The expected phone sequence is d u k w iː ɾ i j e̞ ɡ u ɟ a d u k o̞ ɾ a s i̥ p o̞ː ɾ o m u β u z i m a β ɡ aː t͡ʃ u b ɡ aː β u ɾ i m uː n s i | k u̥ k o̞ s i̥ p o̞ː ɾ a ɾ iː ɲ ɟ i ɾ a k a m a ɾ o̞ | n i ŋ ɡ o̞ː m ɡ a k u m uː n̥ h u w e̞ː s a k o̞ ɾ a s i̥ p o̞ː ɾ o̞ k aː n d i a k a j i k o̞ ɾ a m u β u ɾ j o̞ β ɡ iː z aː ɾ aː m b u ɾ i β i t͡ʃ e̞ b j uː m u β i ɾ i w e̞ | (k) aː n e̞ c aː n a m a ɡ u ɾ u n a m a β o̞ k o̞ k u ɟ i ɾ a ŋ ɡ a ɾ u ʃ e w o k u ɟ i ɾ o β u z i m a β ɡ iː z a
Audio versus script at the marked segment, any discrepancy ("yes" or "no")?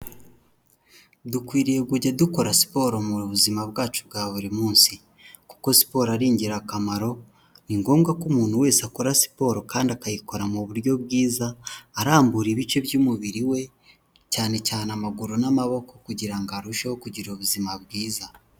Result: yes